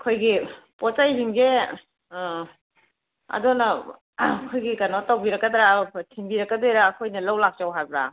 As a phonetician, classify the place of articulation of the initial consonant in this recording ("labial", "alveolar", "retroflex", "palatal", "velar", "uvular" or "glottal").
velar